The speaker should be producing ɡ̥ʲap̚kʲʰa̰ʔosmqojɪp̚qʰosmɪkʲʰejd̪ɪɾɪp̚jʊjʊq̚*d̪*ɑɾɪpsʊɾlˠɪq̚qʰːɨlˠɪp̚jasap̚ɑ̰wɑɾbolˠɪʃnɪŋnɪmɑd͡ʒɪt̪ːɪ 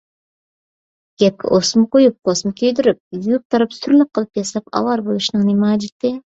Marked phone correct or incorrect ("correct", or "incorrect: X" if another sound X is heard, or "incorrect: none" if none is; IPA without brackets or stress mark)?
incorrect: t̪